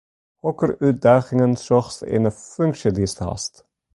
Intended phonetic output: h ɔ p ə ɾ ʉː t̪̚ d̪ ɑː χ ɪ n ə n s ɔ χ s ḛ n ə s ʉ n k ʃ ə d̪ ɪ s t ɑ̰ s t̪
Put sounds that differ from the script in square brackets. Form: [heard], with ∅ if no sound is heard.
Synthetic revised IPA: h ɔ [k] ə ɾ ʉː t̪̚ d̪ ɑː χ ɪ [ŋ] ə n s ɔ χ s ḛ n ə [f] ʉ [ŋ] k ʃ ə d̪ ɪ s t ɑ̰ s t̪